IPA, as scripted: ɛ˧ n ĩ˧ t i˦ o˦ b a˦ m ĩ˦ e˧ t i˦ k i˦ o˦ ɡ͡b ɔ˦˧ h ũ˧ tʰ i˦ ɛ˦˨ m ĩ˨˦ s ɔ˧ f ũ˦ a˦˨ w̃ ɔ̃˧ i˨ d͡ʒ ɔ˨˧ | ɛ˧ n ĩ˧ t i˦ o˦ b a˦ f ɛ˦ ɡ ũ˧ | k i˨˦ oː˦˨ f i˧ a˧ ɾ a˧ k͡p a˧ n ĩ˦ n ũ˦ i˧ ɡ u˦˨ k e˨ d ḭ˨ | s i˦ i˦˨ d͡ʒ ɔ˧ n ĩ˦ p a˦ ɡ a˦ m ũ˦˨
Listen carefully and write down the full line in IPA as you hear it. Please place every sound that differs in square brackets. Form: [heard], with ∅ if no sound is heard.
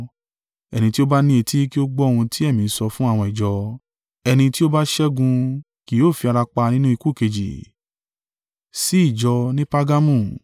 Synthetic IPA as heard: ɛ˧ n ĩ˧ t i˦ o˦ b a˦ [n] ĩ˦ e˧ t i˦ k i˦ o˦ ɡ͡b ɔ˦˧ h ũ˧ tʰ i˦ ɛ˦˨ m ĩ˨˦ s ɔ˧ f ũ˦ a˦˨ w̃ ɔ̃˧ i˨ d͡ʒ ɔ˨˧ | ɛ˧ n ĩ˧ t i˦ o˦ b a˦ [ʃ] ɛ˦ ɡ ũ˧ | k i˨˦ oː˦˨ f i˧ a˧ ɾ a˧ k͡p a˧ n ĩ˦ n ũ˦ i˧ [k] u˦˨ k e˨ [d͡ʒ] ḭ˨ | s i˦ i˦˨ d͡ʒ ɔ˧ n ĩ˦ p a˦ ɡ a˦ m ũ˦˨